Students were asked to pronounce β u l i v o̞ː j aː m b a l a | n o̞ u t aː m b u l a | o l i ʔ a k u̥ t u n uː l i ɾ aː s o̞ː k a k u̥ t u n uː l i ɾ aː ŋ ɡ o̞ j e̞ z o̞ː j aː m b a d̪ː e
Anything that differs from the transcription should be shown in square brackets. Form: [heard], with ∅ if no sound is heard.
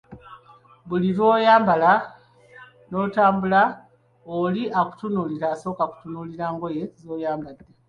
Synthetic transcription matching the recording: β u l i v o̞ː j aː m b a l a | n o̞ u t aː m b u l a | o l i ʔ a k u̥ t u n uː l i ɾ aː s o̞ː k a k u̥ t u n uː l i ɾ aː ŋ ɡ o̞ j e̞ z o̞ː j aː m b a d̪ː e